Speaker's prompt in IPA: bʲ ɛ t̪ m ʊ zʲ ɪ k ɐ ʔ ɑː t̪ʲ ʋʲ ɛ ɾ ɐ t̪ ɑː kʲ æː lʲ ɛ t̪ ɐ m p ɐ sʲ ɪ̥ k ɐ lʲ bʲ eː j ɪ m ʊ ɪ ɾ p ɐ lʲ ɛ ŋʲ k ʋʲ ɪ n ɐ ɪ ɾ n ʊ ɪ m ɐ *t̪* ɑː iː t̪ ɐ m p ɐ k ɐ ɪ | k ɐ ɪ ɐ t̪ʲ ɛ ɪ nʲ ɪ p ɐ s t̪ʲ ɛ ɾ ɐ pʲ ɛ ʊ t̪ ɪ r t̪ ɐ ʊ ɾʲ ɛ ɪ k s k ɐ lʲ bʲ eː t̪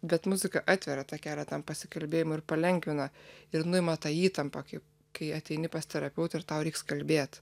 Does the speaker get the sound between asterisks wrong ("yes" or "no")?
no